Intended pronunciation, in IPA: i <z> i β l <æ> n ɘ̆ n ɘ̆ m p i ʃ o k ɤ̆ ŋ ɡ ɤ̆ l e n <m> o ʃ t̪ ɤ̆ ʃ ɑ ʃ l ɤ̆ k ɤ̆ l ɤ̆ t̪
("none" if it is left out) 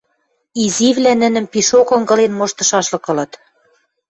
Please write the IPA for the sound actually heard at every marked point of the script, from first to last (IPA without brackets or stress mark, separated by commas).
z, æ, m